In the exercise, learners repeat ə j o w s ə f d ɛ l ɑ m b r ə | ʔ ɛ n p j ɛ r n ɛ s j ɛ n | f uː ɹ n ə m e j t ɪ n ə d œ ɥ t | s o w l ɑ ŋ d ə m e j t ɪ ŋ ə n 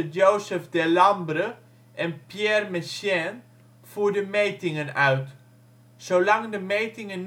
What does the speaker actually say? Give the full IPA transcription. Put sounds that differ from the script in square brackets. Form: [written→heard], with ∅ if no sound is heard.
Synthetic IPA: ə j o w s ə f d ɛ l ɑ m b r ə | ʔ ɛ n p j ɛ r [n→m] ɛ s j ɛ n | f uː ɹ [n→d] ə m e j t ɪ [n→ŋ] ə [d→n] œ ɥ t | s o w l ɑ ŋ d ə m e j t ɪ ŋ ə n

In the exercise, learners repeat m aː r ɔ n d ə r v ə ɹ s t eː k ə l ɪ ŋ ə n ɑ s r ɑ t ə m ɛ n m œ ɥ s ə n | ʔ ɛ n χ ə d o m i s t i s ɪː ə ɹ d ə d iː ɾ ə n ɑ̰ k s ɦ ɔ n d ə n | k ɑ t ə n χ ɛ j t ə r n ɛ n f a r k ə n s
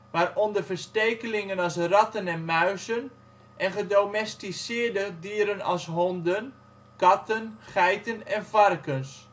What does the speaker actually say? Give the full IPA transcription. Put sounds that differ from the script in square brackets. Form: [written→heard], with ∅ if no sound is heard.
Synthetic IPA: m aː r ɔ n d ə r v ə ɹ s t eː k ə l ɪ ŋ ə n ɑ s r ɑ t ə [m→n] ɛ n m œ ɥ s ə n | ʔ ɛ n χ ə d o m [i→ɛ] s t i s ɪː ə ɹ d ə d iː ɾ ə n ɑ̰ [k→∅] s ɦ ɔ n d ə n | k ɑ t ə n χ ɛ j t ə [r→∅] n ɛ n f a r k ə n s

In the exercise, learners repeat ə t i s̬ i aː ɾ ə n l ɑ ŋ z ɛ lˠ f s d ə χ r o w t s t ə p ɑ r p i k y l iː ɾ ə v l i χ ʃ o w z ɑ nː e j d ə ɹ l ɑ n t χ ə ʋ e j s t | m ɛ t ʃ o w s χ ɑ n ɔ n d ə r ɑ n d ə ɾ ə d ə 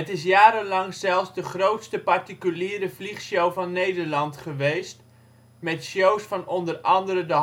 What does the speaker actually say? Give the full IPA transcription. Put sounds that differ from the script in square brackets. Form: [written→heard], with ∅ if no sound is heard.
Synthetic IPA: ə t [i→ɪ] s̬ [i→j] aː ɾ ə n l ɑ ŋ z ɛ lˠ f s d ə χ r o w t s t ə p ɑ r [p→t] i k y l iː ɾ ə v l i χ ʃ o w [z→v] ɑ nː e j d ə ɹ l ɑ n t χ ə ʋ e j s t | m ɛ t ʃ o w s [χ→f] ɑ n ɔ n d ə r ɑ n d ə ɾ ə d ə

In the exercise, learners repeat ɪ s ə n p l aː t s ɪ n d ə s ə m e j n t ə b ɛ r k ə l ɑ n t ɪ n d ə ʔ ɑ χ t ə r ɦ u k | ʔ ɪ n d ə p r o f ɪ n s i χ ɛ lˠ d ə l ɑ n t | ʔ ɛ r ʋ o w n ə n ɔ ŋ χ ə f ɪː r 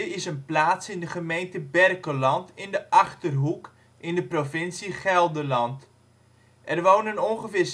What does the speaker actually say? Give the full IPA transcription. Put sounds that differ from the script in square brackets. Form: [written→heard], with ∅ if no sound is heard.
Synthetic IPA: ɪ s ə n p l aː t s ɪ n d ə [s→χ] ə m e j n t ə b ɛ r k ə l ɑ n t ɪ n d ə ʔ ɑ χ t ə r ɦ u k | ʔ ɪ n d ə p r o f ɪ n s i χ ɛ lˠ d ə l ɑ n t | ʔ ɛ r ʋ o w n ə n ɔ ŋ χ ə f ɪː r

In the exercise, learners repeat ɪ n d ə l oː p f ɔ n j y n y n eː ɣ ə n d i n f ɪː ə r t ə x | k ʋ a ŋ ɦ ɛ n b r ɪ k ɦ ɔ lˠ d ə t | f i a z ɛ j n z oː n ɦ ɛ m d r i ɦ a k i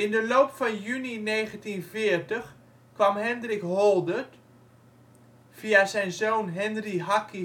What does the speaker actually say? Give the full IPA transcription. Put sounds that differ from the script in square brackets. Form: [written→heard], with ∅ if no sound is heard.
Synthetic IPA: ɪ n d ə l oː p f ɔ n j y n [y→i] n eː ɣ ə n [d→t] i n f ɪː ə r t ə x | k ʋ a [ŋ→m] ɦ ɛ n [b→d] r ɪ k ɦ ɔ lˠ d ə t | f i a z ɛ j n z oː n ɦ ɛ [m→n] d r i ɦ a k i

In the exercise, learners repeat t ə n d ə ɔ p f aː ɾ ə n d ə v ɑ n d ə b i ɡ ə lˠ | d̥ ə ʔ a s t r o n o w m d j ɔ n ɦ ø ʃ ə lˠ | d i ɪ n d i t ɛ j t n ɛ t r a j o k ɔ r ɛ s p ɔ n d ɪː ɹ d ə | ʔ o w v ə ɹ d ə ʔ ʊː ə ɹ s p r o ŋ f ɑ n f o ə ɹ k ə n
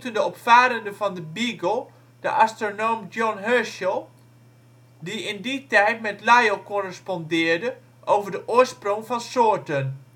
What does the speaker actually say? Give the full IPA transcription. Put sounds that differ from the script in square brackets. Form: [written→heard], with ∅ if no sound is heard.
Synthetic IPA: t ə n d ə ɔ p f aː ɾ ə n d ə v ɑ n d ə b i ɡ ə lˠ | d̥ ə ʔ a s t r o n o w m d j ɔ n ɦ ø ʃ ə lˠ | d i ɪ n d i t ɛ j t [n→m] ɛ t [r→l] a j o k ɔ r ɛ s p ɔ n d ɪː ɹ d ə | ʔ o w v ə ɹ d ə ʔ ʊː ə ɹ s p r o ŋ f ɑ n [f→s] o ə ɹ [k→t] ə n

